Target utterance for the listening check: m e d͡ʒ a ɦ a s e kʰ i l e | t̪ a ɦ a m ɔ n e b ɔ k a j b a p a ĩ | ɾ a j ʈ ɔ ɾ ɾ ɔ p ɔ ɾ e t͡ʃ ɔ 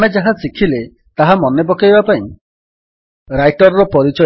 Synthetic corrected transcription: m e d͡ʒ a ɦ a s i kʰ i l e | t̪ a ɦ a m ɔ n e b ɔ k a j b a p a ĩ | ɾ a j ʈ ɔ ɾ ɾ ɔ p ɔ ɾ i t͡ʃ ɔ